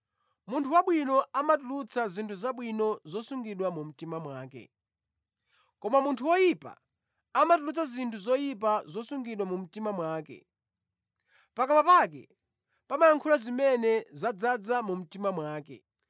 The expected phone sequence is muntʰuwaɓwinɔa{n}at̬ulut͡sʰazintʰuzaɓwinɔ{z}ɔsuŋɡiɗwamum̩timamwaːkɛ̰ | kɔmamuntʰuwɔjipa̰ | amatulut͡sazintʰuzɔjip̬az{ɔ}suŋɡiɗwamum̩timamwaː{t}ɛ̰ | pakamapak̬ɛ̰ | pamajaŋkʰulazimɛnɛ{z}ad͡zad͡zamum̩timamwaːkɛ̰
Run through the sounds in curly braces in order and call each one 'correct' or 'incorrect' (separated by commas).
incorrect, correct, correct, incorrect, correct